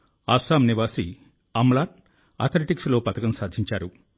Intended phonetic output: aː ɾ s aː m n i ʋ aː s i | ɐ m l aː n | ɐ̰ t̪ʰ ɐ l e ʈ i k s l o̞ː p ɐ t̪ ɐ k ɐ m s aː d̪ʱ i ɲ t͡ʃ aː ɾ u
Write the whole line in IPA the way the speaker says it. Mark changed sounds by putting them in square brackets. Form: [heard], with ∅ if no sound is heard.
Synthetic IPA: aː [∅] s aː m n i ʋ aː s i | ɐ m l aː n | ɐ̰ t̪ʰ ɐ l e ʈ i k s l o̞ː p ɐ t̪ ɐ k ɐ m s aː d̪ʱ i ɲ t͡ʃ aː ɾ u